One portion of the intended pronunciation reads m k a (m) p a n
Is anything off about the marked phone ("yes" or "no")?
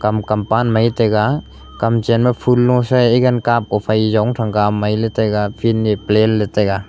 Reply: no